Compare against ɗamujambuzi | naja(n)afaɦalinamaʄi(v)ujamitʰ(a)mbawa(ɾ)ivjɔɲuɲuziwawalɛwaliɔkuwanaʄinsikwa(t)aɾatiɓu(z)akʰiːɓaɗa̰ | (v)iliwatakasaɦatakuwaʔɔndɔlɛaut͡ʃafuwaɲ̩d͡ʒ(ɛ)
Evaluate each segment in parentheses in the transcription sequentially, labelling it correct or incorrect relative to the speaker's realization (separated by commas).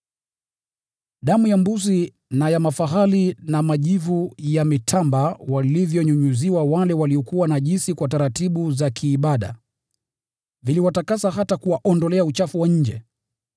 incorrect, correct, correct, incorrect, correct, correct, correct, correct